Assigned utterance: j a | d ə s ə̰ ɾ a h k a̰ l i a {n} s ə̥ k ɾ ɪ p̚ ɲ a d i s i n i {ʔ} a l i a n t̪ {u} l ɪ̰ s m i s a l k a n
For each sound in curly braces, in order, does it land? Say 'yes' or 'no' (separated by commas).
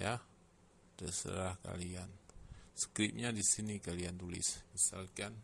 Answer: yes, no, yes